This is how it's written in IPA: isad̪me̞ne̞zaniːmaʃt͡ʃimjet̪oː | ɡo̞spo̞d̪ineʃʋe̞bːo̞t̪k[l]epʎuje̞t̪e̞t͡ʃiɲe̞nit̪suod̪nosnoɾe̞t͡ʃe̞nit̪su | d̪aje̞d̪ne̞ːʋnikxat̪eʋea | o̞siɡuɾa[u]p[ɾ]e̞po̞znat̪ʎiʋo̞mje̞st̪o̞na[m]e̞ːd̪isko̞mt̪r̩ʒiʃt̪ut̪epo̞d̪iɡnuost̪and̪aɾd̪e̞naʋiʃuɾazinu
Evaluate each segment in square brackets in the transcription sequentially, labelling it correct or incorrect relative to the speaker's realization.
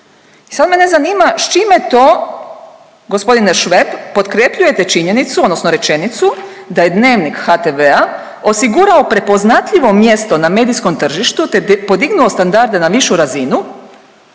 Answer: incorrect: ɾ, incorrect: o, correct, correct

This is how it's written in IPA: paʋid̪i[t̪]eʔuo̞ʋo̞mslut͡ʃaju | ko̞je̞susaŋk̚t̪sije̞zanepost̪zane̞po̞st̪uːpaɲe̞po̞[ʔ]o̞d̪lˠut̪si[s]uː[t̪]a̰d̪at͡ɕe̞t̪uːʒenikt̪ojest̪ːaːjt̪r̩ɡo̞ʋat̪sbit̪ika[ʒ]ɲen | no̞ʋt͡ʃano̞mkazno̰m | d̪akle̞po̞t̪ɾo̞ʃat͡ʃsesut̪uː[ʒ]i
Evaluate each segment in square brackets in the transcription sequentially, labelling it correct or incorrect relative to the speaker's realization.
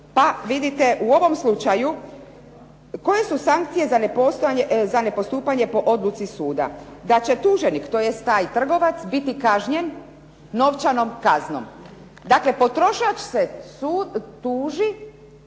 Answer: correct, correct, correct, incorrect: d̪, correct, correct

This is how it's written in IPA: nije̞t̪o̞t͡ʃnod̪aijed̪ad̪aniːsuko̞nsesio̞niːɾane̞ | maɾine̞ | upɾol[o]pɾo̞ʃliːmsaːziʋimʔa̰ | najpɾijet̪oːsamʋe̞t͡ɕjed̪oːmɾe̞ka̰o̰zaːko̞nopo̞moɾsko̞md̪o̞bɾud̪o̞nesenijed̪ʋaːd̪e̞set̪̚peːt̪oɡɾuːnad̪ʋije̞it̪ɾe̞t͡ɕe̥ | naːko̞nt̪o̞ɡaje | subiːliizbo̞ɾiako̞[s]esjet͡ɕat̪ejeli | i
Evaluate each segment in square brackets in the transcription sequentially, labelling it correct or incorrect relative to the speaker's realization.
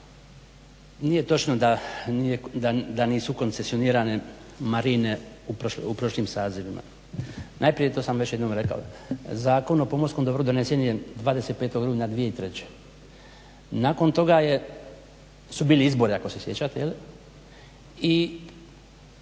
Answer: incorrect: u, correct

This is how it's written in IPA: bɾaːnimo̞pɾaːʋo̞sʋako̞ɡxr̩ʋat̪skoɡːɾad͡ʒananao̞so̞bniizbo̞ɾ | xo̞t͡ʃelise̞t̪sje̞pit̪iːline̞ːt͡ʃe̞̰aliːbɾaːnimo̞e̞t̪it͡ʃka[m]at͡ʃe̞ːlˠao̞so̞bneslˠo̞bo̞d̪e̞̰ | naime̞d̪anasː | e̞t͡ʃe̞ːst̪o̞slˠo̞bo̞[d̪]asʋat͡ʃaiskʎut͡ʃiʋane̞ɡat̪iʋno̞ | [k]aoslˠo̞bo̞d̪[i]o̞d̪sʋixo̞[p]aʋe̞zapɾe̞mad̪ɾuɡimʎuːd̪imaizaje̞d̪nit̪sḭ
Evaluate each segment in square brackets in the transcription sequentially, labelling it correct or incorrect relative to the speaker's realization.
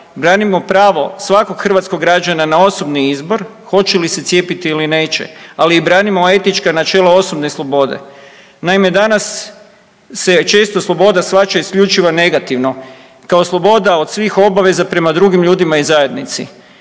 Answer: incorrect: n, correct, correct, incorrect: a, incorrect: b

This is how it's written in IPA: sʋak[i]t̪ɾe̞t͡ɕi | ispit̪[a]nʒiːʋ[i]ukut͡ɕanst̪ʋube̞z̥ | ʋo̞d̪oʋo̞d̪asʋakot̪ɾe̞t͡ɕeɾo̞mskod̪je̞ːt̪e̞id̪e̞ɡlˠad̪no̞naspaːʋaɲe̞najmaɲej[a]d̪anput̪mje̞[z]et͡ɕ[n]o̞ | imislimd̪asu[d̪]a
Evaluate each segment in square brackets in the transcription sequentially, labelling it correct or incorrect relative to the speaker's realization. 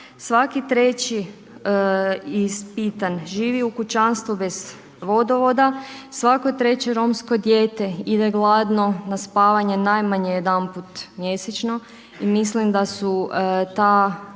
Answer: correct, correct, correct, incorrect: e, incorrect: s, correct, incorrect: t̪

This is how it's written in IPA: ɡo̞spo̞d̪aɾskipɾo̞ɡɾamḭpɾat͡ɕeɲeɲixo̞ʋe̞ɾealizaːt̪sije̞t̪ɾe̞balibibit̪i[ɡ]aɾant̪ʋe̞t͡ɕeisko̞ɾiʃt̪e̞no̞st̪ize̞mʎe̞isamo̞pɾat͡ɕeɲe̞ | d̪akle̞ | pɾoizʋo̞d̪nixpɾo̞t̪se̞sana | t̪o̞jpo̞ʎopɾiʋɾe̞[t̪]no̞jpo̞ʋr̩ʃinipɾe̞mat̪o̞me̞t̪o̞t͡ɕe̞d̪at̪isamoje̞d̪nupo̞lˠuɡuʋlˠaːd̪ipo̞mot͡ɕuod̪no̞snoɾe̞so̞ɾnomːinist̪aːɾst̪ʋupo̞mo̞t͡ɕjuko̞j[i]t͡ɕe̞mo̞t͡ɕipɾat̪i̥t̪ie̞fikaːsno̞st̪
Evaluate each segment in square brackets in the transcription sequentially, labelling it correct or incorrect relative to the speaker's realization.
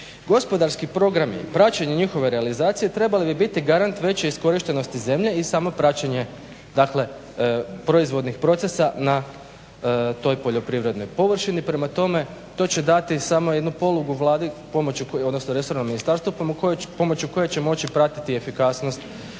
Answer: correct, incorrect: d̪, incorrect: e

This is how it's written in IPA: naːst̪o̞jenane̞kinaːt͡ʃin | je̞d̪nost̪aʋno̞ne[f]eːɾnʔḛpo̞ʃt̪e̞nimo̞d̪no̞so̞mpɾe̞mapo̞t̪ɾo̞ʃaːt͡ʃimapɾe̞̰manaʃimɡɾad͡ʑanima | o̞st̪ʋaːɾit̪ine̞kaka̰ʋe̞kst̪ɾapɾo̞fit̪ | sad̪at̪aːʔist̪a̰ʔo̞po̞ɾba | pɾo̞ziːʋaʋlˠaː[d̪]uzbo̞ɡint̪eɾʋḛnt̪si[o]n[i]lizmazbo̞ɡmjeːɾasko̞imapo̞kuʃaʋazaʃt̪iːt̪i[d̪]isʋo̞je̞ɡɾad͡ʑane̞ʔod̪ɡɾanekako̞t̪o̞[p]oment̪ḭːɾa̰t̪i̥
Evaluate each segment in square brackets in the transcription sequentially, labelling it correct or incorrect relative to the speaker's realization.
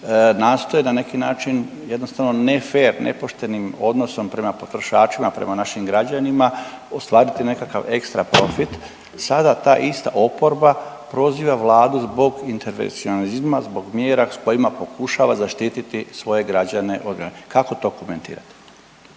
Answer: correct, correct, correct, incorrect: a, incorrect: t̪, incorrect: k

